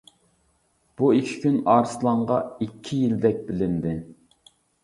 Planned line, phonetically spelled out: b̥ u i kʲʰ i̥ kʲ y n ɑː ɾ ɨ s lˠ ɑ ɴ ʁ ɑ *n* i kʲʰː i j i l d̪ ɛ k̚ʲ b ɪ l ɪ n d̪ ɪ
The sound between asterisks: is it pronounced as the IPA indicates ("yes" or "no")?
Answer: no